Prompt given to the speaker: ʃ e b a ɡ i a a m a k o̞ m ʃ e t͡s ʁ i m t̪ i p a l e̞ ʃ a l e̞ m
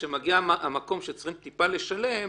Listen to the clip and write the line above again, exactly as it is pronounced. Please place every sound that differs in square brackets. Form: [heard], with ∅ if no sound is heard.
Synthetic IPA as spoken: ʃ e [m] a ɡ i a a m a k o̞ m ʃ e t͡s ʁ i m t̪ i p a l e̞ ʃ a l e̞ m